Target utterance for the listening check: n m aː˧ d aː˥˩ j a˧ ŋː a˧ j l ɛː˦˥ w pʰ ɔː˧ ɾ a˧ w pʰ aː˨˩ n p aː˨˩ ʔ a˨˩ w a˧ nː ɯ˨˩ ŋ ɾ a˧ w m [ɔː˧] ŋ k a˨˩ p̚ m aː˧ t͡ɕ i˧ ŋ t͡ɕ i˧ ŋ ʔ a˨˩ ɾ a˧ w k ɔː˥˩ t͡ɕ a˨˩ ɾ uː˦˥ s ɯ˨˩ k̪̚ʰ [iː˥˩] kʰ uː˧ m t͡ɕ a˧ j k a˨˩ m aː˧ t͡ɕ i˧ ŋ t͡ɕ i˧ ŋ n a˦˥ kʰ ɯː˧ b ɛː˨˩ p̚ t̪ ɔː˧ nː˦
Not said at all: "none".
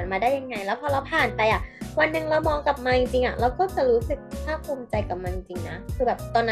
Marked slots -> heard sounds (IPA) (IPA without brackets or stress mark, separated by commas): ɔː˧, aː˥˩